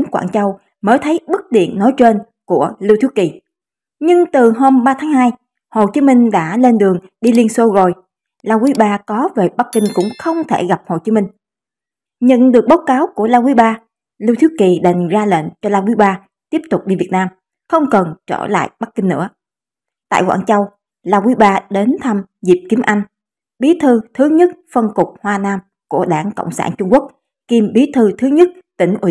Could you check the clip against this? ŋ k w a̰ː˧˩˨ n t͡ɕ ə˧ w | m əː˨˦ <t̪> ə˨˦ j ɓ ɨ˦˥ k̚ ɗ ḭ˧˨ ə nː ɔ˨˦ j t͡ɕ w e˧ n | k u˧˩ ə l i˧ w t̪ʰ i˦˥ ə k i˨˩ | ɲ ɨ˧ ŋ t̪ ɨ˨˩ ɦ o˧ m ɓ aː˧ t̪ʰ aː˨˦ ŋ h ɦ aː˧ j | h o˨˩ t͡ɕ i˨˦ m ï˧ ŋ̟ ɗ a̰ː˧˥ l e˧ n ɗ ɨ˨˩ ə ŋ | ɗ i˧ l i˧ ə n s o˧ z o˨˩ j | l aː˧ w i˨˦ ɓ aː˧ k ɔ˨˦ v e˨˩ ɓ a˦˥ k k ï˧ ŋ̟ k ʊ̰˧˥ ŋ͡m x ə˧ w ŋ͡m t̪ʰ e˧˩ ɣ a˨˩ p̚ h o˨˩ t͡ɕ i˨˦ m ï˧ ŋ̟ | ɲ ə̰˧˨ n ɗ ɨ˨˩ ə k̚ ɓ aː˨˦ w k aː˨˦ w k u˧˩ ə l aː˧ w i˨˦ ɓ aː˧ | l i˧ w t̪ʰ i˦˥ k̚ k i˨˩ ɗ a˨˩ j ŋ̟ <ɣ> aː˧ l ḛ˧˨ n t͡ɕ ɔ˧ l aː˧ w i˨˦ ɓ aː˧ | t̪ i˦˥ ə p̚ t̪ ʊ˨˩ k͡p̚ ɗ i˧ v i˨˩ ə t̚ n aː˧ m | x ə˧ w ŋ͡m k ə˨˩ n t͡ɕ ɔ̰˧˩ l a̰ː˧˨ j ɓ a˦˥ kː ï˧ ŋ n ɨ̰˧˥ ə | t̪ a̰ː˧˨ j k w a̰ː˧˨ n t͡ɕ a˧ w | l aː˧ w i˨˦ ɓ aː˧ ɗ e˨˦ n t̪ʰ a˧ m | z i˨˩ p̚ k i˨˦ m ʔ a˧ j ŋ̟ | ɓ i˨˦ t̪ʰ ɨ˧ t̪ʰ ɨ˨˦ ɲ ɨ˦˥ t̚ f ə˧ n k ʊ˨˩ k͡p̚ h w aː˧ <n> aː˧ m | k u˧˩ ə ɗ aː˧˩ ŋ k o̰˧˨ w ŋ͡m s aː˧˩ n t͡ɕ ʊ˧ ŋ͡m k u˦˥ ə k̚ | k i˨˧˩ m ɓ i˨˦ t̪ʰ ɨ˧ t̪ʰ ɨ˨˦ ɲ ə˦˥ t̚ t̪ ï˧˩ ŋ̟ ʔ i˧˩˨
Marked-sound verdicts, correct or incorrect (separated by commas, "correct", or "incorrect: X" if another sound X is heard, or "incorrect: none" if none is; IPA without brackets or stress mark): incorrect: t̪ʰ, incorrect: z, correct